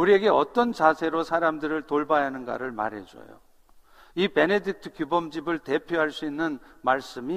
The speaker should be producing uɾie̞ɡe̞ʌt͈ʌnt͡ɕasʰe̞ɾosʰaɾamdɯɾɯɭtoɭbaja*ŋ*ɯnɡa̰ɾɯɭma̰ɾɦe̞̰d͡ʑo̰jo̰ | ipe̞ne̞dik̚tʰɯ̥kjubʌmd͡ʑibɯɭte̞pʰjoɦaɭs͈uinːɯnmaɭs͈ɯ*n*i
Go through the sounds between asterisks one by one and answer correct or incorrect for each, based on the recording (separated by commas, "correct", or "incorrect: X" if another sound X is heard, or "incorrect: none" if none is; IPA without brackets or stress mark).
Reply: incorrect: n, incorrect: m